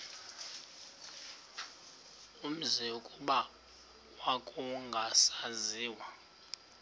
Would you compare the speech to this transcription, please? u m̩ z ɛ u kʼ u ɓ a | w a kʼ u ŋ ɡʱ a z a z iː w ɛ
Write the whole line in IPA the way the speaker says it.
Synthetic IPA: u m̩ z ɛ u kʼ u ɓ a | w a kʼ u ŋ ɡʱ a s a z iː w a